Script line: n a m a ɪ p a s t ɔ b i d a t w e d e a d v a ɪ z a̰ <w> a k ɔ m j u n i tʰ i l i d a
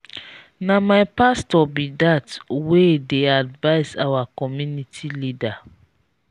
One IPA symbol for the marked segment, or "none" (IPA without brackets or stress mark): w